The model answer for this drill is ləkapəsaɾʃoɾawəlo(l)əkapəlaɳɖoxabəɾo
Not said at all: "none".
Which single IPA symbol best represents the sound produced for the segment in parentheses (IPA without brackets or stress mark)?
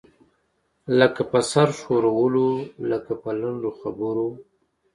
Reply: l